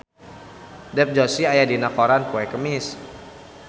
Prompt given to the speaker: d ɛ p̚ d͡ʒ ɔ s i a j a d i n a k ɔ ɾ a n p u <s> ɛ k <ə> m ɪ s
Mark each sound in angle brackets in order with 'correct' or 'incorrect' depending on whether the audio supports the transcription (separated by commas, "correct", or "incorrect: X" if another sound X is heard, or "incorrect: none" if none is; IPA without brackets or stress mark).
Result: incorrect: none, correct